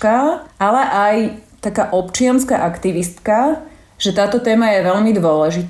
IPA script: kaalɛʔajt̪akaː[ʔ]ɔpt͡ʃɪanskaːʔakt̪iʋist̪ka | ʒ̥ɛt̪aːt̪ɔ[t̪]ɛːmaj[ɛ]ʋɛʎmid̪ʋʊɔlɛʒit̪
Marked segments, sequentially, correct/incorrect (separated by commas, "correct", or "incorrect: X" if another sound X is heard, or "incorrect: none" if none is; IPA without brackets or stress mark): correct, correct, correct